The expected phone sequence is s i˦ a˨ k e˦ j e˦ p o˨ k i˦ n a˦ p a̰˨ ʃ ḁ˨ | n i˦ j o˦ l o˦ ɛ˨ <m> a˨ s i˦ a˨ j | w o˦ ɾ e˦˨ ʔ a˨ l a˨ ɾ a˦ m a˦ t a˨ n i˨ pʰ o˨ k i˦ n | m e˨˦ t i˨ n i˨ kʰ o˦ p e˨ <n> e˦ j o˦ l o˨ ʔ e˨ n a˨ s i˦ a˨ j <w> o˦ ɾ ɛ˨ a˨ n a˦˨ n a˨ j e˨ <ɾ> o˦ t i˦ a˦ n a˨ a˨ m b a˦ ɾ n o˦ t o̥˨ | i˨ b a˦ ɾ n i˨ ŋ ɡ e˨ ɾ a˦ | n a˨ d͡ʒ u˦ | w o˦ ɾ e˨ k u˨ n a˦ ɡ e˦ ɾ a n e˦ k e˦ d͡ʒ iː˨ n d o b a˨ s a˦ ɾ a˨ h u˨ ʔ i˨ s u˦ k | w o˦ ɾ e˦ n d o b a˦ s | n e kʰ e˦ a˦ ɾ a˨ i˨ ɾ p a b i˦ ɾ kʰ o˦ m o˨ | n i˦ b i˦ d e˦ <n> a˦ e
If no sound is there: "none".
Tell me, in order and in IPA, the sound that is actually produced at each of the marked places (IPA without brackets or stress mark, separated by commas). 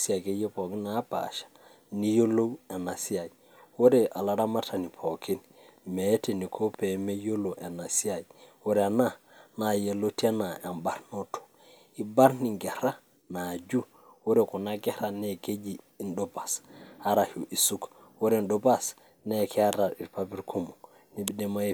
n, m, w, l, m